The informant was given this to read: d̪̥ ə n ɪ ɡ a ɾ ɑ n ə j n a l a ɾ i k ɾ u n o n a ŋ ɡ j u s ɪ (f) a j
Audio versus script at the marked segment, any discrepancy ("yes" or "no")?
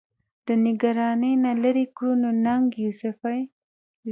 no